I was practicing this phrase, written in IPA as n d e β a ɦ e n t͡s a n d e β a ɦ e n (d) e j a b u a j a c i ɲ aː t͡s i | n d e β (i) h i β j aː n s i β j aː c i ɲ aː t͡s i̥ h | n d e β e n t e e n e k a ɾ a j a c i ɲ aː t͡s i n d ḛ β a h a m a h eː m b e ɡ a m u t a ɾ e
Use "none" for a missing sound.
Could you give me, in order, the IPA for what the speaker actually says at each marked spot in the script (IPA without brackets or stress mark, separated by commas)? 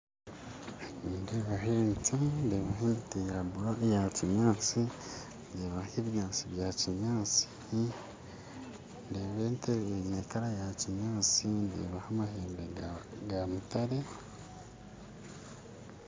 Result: t, a